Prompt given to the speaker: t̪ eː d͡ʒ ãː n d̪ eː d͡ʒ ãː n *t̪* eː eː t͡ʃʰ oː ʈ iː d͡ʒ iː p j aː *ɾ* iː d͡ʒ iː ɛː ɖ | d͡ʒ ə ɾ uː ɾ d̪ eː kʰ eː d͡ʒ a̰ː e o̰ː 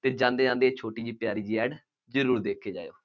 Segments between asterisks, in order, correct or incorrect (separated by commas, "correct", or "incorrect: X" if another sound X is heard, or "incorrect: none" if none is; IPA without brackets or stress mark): incorrect: d̪, correct